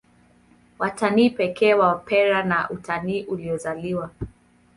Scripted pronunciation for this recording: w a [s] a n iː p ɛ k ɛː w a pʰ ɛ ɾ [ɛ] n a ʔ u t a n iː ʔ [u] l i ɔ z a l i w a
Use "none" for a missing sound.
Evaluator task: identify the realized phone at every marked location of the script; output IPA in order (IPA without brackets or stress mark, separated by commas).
t, a, u